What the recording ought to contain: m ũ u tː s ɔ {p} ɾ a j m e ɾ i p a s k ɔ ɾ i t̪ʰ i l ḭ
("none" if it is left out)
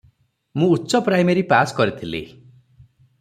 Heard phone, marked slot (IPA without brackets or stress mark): p